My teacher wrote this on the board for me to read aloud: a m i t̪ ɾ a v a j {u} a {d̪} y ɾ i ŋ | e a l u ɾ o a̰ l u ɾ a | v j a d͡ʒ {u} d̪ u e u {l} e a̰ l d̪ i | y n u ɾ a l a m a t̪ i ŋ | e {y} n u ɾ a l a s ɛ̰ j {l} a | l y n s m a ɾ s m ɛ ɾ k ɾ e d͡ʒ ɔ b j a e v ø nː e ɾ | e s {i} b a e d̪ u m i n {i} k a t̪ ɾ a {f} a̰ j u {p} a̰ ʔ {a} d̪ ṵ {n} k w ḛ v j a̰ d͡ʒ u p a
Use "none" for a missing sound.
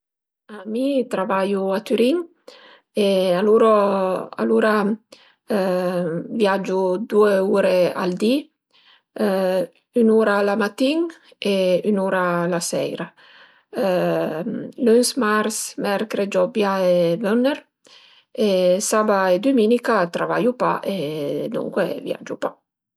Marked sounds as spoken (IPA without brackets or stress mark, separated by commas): u, t̪, u, ɾ, y, ɾ, a, i, v, p, e, ŋ